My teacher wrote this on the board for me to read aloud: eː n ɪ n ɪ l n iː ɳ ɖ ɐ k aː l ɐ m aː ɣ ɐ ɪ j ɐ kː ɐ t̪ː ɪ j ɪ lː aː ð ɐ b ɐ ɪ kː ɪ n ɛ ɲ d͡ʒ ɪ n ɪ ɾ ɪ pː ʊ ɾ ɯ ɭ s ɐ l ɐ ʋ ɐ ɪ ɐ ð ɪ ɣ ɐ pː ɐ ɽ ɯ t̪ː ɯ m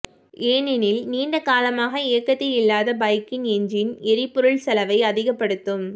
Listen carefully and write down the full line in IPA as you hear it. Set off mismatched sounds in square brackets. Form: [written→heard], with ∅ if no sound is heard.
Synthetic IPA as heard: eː n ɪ n ɪ l n iː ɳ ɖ ɐ k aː l ɐ m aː ɣ ɐ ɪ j ɐ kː ɐ t̪ː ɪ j ɪ lː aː ð ɐ b ɐ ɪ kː ɪ n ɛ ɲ d͡ʒ ɪ n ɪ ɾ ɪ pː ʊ ɾ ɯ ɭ s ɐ l ɐ ʋ ɐ ɪ ɐ ð ɪ ɣ ɐ pː ɐ ɽ ɯ t̪ː ɯ m